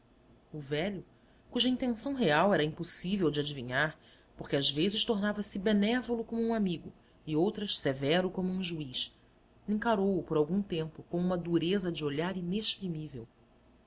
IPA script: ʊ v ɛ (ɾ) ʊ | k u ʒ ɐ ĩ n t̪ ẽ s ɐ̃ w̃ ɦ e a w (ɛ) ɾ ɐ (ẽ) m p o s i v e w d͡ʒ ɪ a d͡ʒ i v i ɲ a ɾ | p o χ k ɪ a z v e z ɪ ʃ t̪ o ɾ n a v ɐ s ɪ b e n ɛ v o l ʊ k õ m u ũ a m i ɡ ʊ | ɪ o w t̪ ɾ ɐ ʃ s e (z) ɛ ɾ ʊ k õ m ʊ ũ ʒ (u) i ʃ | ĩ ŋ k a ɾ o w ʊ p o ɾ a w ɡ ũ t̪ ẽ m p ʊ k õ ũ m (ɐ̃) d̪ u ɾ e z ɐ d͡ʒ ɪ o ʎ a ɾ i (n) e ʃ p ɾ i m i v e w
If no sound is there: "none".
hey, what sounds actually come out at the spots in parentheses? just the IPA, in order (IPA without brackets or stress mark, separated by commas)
ʎ, ɛ, ĩ, v, u, ɐ, n